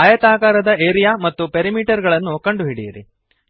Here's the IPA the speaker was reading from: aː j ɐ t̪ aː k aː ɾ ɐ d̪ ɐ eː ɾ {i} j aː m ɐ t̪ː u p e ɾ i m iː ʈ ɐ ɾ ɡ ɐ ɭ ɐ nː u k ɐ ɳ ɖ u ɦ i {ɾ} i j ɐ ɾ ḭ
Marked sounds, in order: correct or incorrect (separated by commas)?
correct, incorrect